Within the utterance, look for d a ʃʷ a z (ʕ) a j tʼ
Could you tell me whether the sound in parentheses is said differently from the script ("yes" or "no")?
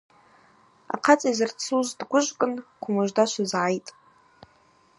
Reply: no